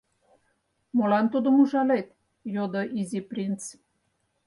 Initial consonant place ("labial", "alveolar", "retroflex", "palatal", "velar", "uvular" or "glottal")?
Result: labial